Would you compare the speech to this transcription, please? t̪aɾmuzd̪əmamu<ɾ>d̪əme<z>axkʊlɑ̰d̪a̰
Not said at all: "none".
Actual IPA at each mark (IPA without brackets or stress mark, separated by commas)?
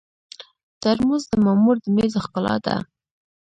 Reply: ɾ, z